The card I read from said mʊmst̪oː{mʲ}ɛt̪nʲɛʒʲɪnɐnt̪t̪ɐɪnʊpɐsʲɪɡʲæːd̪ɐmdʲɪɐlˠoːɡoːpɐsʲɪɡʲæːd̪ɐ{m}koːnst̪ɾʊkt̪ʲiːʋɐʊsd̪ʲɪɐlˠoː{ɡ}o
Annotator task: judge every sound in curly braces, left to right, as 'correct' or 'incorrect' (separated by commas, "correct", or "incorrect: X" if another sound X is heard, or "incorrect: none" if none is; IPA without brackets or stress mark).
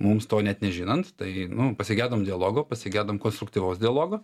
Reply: incorrect: nʲ, correct, correct